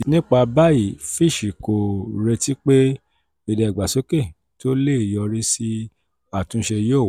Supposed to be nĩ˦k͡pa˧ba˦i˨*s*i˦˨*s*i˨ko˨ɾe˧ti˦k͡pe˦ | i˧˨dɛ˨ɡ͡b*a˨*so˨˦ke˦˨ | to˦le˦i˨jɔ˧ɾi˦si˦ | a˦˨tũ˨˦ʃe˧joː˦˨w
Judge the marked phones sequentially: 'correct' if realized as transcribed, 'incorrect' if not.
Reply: incorrect: f, incorrect: ʃ, correct

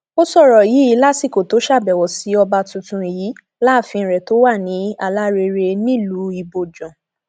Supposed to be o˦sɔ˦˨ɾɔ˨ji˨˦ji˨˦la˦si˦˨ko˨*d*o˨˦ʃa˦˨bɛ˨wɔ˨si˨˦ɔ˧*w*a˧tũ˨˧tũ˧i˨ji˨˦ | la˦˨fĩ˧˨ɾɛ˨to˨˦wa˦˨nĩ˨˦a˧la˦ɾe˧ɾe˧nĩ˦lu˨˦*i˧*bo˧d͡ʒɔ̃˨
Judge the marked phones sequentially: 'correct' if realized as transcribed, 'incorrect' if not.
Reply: incorrect: t, incorrect: b, correct

